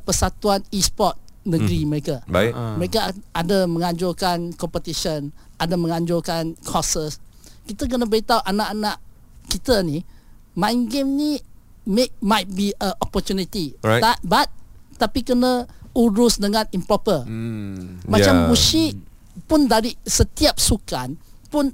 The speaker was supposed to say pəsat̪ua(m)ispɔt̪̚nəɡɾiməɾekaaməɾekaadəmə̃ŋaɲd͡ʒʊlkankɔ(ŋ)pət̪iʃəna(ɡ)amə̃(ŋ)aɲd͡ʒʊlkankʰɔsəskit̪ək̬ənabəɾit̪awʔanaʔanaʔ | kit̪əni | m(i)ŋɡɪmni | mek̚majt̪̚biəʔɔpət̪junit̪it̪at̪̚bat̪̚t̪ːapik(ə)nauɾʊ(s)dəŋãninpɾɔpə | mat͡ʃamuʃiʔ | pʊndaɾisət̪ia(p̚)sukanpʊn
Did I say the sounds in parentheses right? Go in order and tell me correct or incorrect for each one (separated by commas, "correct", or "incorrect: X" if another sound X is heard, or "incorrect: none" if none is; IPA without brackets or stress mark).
incorrect: n, incorrect: m, incorrect: d, correct, incorrect: a, correct, correct, correct